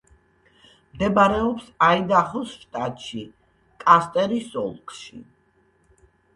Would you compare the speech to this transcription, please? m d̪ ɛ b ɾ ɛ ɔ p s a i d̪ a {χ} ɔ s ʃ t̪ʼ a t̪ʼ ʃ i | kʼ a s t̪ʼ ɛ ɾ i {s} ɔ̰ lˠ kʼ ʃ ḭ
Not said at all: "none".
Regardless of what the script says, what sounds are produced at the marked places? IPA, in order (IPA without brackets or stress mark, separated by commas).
χ, s